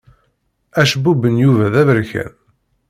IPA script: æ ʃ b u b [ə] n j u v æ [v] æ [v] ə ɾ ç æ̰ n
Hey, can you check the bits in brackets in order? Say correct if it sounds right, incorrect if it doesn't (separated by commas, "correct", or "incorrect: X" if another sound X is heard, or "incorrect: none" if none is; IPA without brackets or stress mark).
correct, incorrect: ð, correct